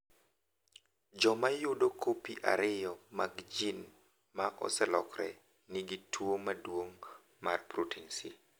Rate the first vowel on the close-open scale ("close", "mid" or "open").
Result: mid